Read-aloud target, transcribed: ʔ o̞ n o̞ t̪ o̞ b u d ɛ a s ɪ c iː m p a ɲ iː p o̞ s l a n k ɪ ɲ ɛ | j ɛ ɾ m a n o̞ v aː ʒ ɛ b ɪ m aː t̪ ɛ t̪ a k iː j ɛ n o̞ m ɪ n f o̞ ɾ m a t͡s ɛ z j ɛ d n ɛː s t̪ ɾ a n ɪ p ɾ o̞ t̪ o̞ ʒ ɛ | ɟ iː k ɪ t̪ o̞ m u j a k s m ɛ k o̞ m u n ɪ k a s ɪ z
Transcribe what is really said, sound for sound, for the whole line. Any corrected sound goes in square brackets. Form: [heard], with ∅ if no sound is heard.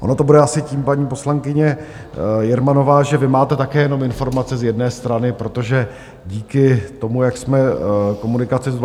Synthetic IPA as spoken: ʔ o̞ n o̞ t̪ o̞ b u d ɛ a s ɪ c iː m p a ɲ iː p o̞ s l a [ŋ] k ɪ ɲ ɛ | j ɛ ɾ m a n o̞ v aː ʒ ɛ [v] ɪ m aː t̪ ɛ t̪ a k [ɛː] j ɛ n o̞ m ɪ n f o̞ ɾ m a t͡s ɛ z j ɛ d n ɛː s t̪ ɾ a n ɪ p ɾ o̞ t̪ o̞ ʒ ɛ | ɟ iː k ɪ t̪ o̞ m u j a k s m ɛ k o̞ m u n ɪ k a [t͡s] ɪ z